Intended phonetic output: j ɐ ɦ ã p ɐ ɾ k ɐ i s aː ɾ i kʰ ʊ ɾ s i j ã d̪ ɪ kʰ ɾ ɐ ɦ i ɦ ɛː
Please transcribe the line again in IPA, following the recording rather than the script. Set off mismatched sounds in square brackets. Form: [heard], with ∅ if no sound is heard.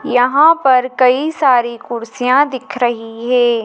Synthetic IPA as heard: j ɐ ɦ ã p ɐ ɾ k ɐ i s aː ɾ i [k] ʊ ɾ s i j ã d̪ ɪ kʰ ɾ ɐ ɦ i ɦ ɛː

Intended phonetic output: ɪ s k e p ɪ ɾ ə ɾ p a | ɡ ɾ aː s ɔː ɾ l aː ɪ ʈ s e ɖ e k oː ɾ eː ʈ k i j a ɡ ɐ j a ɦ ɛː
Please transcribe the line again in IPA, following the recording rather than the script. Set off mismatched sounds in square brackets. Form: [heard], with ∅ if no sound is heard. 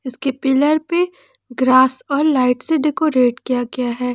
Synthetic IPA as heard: ɪ s k e p ɪ [l] ə ɾ p [e] | ɡ ɾ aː s ɔː ɾ l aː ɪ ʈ s e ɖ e k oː ɾ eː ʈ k i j a ɡ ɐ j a ɦ ɛː

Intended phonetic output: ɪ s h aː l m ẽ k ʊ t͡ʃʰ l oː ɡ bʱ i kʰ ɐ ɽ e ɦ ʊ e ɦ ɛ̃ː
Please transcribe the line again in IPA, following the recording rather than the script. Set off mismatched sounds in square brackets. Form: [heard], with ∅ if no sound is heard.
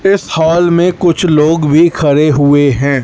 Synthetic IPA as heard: ɪ s h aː l m ẽ k ʊ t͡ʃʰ l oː ɡ bʱ i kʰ ɐ [ɾ] e ɦ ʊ e ɦ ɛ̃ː

